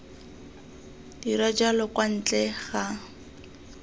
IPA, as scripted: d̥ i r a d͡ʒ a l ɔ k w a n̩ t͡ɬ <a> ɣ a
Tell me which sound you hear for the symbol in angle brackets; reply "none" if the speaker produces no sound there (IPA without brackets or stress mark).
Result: ɛ